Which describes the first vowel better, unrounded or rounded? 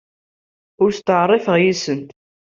rounded